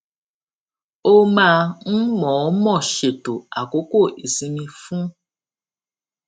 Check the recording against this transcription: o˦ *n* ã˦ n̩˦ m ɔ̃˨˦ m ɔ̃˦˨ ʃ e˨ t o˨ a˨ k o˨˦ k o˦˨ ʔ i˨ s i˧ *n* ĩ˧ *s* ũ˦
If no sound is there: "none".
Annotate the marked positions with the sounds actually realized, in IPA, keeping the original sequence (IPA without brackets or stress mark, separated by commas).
m, m, f